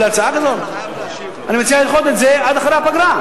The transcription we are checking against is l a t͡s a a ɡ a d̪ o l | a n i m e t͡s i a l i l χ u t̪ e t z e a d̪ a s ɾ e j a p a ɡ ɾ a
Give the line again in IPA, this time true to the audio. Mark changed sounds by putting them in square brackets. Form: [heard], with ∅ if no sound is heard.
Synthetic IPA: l a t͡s a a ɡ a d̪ o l | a n i m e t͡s i a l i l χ [o] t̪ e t z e a d̪ a [χ] ɾ e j a p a ɡ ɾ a